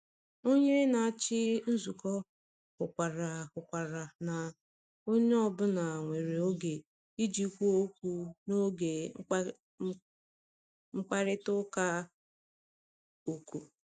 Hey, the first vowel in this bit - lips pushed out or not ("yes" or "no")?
yes